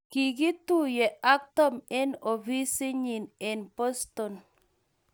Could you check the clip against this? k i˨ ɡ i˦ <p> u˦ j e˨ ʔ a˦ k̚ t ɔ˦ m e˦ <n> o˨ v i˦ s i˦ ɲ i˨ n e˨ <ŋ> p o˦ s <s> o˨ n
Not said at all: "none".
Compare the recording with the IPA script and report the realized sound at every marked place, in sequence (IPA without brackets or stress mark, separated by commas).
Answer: t, n, n, t